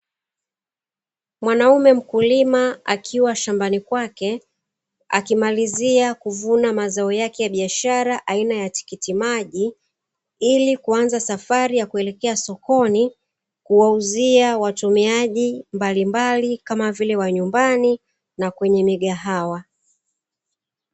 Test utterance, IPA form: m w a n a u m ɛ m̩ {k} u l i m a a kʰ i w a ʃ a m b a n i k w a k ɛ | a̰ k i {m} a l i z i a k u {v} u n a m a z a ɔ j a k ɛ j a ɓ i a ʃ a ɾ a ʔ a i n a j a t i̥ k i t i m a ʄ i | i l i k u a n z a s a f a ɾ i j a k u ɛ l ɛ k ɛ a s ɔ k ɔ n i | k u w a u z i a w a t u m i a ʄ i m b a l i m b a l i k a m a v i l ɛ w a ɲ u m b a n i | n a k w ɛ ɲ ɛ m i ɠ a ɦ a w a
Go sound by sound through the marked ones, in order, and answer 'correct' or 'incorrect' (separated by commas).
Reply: correct, correct, correct